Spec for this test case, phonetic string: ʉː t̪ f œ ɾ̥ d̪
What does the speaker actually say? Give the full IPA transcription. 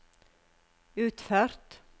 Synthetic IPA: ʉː t̪ f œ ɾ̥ t̪